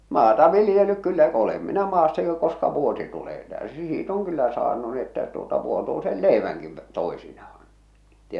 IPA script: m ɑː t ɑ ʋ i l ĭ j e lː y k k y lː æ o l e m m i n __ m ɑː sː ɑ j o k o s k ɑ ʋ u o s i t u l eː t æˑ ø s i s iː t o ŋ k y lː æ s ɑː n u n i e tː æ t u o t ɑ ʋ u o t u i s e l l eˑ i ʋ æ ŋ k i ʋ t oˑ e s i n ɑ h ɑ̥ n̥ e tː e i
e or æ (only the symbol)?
æ